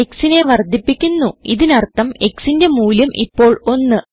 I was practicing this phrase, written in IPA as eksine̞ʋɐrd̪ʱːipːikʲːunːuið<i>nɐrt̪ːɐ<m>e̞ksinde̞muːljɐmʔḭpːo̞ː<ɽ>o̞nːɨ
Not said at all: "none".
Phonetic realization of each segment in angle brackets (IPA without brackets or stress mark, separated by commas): i, m, ɭ